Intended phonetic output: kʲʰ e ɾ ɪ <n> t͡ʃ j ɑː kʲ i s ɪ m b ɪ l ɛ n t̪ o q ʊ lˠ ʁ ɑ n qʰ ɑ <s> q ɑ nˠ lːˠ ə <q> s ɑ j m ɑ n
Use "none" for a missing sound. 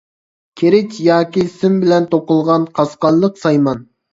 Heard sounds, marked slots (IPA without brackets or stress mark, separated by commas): none, s, q